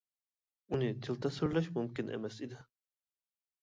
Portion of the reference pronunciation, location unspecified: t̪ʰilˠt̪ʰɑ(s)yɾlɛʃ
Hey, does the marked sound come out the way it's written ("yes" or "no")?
yes